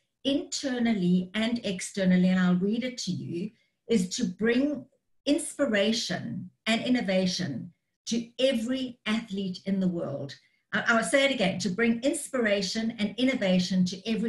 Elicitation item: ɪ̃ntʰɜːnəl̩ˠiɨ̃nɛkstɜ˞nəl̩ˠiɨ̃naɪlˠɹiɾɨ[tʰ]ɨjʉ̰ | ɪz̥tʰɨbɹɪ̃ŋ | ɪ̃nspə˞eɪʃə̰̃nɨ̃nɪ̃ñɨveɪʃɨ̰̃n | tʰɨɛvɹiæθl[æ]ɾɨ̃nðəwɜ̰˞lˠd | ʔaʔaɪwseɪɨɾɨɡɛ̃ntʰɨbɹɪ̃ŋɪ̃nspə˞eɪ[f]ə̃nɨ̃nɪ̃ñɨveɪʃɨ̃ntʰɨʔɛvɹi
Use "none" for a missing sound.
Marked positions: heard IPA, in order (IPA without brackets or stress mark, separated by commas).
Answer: tʰ, i, ʃ